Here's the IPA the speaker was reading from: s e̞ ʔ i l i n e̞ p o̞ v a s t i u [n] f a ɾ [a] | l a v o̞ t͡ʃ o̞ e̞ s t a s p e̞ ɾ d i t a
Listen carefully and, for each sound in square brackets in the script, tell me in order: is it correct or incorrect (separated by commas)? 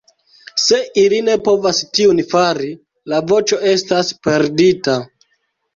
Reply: correct, incorrect